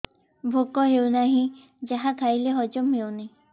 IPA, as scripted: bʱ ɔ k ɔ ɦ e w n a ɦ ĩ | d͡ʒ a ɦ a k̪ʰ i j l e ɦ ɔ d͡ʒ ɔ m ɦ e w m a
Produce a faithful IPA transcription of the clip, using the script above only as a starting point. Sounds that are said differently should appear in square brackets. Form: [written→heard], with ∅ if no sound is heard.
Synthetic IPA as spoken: bʱ [ɔ→o] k ɔ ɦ e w n a ɦ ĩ | d͡ʒ a ɦ a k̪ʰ [i→a] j l e ɦ ɔ d͡ʒ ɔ m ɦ e w [m→n] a